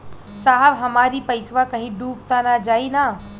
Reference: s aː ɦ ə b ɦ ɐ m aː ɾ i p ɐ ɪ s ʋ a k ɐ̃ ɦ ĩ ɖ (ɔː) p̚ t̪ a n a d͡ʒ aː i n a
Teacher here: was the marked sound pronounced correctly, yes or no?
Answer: no